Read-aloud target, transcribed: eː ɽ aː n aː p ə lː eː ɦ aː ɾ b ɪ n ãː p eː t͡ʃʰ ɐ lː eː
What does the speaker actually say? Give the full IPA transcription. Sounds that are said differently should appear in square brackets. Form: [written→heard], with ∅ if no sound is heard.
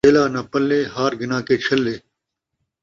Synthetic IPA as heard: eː [ɽ→l] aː n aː p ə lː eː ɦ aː ɾ [b→ɡ] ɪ n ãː [p→k] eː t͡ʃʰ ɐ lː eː